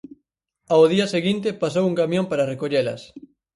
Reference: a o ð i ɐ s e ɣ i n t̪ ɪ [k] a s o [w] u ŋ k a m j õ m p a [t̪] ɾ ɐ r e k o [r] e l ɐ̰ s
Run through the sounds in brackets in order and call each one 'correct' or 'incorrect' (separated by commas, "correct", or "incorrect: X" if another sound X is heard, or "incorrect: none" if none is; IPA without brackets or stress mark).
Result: incorrect: p, correct, incorrect: none, incorrect: ʎ